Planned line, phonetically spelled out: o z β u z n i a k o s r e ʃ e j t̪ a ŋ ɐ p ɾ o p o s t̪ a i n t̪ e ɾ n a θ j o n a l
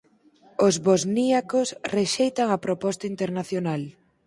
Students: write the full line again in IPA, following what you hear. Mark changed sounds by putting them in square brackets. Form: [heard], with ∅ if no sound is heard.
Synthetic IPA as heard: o z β [o] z n i a k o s r e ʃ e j t̪ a ŋ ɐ p ɾ o p [ɔ] s t̪ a i n t̪ e ɾ n a θ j o n a l